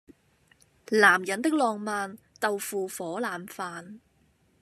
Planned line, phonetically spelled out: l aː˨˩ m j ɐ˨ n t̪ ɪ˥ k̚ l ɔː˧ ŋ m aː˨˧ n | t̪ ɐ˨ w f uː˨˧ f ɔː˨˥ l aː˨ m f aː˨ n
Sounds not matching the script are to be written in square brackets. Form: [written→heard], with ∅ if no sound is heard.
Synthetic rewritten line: l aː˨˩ m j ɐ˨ n t̪ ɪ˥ k̚ l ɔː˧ ŋ m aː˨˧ n | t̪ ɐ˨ w f uː˨˧ f ɔː˨˥ l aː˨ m f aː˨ n